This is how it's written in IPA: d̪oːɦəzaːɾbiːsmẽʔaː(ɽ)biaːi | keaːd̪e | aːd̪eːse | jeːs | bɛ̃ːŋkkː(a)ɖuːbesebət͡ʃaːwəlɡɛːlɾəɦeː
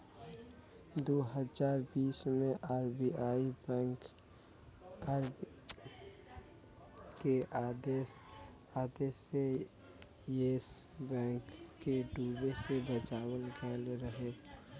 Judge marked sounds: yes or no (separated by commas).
no, no